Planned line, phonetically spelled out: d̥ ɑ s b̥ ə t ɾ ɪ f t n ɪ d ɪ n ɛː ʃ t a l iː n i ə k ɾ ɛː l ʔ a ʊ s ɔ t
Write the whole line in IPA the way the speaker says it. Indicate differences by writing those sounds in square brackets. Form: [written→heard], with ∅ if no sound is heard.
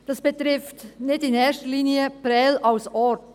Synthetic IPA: d̥ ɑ s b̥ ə t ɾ ɪ f t n ɪ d ɪ n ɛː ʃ t [a→ə] l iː n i ə [k→p] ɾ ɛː l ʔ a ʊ s ɔ t